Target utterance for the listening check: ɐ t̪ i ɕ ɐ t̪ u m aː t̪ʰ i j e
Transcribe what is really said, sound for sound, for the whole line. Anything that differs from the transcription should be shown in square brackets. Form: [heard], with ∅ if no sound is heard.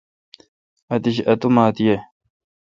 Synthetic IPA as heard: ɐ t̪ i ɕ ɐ t̪ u m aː [t̪] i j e